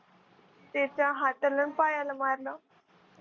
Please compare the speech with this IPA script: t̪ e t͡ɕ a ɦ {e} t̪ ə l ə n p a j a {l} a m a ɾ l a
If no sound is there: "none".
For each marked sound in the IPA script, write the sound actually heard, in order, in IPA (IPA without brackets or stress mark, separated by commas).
a, l